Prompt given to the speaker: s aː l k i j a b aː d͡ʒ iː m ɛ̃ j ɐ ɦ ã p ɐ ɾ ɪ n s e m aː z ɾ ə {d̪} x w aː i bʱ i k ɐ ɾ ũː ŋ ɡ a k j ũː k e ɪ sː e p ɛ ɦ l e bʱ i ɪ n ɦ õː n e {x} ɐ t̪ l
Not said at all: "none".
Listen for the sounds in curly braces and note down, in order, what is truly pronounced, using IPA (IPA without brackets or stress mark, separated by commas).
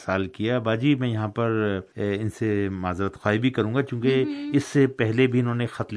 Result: t̪, x